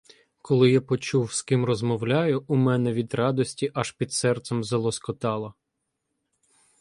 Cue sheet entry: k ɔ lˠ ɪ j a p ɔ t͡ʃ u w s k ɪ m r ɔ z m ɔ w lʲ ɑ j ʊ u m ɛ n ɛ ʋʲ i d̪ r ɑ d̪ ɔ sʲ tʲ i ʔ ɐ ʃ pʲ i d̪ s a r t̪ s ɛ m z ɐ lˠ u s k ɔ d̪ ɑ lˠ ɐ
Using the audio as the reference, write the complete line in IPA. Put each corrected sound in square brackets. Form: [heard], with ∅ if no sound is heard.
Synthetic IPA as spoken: k ɔ lˠ ɪ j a p ɔ t͡ʃ u w s k ɪ m r ɔ z m ɔ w lʲ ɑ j ʊ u m ɛ n ɛ ʋʲ i d̪ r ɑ d̪ ɔ sʲ tʲ i ʔ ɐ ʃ pʲ i d̪ s [ɛ] r t̪ s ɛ m z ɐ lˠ [ɔ] s k ɔ [t̪] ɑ lˠ ɐ